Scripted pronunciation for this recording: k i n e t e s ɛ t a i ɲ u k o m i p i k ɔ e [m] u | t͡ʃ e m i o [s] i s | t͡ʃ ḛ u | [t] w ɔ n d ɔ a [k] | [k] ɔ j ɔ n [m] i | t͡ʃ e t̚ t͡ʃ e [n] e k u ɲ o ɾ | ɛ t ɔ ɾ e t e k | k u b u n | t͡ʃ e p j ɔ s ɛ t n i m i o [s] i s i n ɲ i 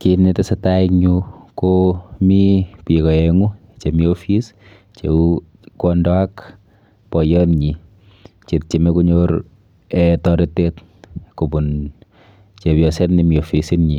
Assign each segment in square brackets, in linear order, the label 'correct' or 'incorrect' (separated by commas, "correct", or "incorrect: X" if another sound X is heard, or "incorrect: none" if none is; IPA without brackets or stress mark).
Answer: incorrect: ŋ, incorrect: f, incorrect: k, correct, incorrect: p, incorrect: ɲ, incorrect: m, incorrect: f